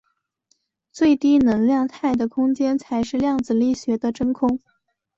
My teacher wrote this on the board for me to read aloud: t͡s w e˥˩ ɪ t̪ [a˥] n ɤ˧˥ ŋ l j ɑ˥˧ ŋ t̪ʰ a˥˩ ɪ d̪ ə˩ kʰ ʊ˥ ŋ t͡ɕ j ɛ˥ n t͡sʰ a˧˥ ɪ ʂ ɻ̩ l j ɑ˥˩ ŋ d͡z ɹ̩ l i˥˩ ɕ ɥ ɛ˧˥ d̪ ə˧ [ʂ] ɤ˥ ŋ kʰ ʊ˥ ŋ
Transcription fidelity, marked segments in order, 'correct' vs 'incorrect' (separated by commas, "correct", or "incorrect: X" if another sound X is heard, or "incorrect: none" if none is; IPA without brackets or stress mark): incorrect: i˥, incorrect: ʈ͡ʂ